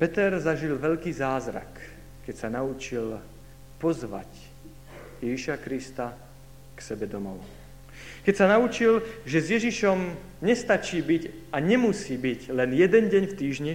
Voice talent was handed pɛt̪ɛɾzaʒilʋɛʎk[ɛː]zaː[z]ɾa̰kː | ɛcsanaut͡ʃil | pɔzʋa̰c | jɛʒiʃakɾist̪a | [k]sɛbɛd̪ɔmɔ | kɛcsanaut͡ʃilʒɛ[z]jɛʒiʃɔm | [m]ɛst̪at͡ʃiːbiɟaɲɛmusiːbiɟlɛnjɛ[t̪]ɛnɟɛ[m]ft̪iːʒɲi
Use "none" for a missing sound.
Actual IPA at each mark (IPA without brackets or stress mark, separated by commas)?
iː, z, k, z, ɲ, d̪, ɲ